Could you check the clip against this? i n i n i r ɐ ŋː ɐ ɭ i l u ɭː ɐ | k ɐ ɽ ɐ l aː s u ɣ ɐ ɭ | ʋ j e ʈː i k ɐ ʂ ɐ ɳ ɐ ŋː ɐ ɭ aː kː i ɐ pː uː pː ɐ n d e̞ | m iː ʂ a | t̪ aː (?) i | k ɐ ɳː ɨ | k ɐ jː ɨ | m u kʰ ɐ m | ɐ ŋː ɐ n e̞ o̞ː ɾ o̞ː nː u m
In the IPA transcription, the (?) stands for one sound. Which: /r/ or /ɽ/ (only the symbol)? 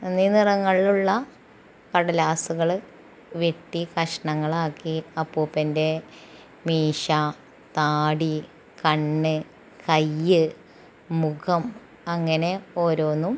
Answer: ɽ